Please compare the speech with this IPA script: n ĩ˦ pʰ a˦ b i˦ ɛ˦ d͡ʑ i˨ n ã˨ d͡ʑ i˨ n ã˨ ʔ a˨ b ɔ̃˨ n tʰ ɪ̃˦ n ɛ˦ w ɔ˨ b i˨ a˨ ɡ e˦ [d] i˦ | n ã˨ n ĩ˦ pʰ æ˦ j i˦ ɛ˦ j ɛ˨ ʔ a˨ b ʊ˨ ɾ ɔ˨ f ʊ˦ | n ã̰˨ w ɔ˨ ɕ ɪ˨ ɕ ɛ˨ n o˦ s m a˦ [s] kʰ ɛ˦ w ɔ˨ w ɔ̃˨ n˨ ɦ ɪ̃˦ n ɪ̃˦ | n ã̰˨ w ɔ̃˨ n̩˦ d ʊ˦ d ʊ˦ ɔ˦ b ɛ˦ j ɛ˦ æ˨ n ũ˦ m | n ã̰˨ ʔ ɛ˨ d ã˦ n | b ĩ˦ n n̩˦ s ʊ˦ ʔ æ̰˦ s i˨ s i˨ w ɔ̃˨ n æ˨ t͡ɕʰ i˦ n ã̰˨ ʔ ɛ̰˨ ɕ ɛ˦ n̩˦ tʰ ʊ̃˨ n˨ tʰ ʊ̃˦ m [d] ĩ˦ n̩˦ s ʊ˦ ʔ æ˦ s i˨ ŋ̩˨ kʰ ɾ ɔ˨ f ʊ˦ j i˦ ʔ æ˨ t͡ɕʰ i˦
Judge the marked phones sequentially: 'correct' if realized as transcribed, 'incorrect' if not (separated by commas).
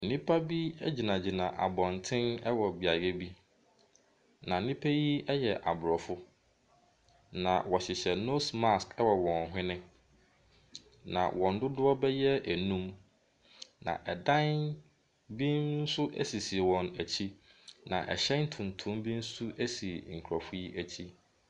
incorrect, correct, incorrect